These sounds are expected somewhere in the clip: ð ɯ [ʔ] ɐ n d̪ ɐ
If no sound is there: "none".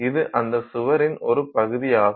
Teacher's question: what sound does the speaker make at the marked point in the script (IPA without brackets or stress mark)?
ʔ